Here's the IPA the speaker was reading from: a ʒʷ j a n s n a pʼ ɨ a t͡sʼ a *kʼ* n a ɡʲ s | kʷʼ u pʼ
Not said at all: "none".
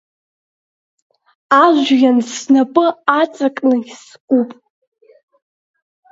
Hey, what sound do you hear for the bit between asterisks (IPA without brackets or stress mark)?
kʼ